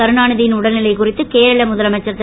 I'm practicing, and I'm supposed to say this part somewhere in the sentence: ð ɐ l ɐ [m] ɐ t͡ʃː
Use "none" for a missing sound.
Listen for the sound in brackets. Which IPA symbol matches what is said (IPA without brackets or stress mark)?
m